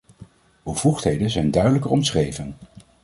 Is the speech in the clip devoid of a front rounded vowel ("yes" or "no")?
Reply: no